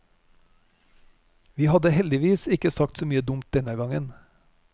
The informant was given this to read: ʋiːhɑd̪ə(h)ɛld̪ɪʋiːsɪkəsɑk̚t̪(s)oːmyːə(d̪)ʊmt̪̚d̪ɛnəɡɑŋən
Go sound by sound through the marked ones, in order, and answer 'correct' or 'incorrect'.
correct, correct, correct

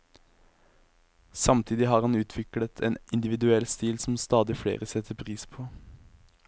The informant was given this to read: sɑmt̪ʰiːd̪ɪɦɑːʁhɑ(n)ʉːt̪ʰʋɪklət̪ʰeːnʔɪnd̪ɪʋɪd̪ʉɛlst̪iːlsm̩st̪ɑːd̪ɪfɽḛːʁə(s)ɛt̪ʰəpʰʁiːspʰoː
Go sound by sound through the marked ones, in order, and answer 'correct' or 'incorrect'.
correct, correct

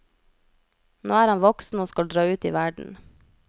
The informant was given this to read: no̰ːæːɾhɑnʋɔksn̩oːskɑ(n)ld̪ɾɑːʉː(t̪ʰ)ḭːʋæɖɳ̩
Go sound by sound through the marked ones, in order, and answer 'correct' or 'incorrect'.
incorrect, incorrect

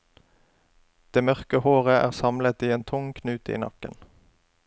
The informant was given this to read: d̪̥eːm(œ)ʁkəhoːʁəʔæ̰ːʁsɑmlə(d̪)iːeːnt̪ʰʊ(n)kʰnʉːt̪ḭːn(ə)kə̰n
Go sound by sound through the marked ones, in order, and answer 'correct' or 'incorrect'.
correct, incorrect, incorrect, incorrect

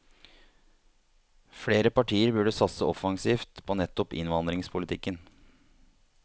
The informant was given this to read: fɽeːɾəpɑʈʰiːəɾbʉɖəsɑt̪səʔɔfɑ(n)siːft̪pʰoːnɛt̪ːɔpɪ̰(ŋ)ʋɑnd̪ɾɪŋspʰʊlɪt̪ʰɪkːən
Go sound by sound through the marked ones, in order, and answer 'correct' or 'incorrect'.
incorrect, incorrect

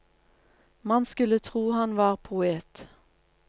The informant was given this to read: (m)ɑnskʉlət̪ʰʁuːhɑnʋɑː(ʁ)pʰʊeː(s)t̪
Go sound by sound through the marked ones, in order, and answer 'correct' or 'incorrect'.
correct, correct, incorrect

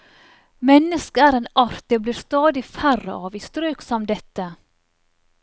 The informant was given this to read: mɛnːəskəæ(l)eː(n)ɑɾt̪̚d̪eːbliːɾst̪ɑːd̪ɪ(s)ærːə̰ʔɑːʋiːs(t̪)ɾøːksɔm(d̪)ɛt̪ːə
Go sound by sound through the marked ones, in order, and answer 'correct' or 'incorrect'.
incorrect, correct, incorrect, correct, correct

